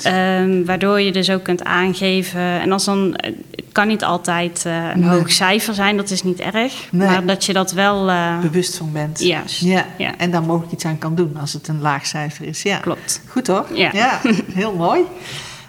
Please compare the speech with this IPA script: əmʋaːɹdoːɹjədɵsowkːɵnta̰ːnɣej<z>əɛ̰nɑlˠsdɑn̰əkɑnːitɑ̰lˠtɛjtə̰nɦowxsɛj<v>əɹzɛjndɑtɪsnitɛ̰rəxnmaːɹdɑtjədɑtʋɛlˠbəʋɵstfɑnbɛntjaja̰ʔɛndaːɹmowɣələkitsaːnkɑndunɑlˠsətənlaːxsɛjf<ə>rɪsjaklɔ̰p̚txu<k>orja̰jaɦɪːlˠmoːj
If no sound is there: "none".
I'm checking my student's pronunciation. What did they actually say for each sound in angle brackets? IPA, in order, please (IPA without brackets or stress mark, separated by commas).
v, f, ə, t